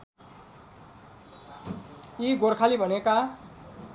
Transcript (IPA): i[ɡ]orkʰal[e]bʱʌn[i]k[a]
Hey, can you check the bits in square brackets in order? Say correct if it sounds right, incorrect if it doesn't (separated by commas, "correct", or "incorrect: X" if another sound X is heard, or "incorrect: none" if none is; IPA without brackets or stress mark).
correct, incorrect: i, incorrect: e, correct